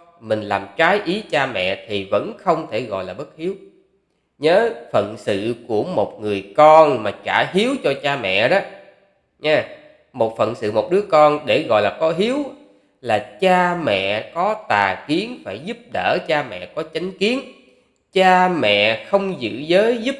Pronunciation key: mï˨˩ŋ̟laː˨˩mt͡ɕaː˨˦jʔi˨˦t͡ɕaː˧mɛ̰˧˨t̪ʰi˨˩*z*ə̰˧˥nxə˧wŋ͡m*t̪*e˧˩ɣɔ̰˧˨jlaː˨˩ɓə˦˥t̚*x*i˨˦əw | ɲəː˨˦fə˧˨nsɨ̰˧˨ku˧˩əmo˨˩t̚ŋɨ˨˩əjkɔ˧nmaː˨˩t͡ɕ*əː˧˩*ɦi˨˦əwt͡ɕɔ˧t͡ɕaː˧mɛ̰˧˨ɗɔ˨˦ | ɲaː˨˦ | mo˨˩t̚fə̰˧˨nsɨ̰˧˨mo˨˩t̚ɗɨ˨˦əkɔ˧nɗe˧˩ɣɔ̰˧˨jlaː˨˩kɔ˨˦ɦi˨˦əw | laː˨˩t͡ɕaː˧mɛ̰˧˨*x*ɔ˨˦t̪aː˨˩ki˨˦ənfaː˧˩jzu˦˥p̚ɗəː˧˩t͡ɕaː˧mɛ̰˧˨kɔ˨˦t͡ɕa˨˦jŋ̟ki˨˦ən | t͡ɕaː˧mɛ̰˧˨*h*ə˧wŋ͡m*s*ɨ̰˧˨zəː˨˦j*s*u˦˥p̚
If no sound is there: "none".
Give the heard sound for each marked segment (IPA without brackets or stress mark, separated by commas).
v, t̪ʰ, h, aː˧˩, k, x, z, z